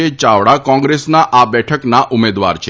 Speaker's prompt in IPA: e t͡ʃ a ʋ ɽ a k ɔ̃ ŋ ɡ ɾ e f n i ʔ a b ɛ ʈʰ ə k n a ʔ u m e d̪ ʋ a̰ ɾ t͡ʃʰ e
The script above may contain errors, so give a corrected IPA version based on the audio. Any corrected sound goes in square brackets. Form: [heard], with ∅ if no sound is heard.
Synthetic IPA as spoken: e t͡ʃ a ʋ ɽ a k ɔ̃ ŋ ɡ ɾ e [s] n [a] ʔ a b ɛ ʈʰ ə k n a ʔ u m e d̪ ʋ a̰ ɾ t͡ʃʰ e